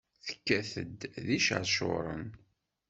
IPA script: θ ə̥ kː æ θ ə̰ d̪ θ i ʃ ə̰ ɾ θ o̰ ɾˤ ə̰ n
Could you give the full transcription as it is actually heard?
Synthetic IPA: θ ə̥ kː æ θ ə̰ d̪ ð i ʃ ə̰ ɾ ʃ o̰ ɾˤ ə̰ n